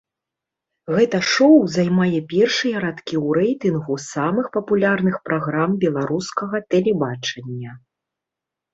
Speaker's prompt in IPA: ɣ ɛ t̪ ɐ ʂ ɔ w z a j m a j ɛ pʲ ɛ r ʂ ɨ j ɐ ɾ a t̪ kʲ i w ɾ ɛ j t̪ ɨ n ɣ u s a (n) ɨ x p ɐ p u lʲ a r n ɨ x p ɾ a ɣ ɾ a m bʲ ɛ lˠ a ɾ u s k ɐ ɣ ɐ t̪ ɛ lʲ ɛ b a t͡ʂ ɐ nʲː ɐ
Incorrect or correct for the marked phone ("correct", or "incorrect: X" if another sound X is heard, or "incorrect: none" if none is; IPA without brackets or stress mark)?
incorrect: m